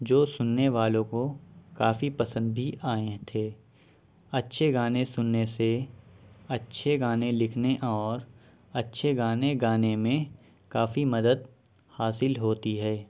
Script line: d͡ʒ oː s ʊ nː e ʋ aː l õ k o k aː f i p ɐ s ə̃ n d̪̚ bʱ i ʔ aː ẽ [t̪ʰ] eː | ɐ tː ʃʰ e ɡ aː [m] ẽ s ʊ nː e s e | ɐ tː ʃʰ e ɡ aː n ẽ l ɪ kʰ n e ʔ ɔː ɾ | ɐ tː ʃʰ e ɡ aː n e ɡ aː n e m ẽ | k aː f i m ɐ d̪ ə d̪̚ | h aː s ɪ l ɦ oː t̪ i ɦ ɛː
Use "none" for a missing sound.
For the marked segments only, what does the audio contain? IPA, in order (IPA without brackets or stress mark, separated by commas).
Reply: t̪ʰ, n